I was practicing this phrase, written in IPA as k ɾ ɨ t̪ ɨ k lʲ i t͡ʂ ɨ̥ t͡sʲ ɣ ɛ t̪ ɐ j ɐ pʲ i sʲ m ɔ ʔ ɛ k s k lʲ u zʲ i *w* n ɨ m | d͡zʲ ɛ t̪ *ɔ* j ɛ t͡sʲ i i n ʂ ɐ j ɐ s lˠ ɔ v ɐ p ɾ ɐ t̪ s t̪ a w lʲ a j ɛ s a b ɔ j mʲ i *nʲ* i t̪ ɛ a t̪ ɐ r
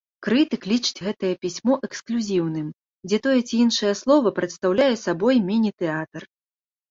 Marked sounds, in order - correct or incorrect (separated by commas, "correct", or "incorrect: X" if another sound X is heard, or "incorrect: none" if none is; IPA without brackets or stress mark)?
correct, correct, correct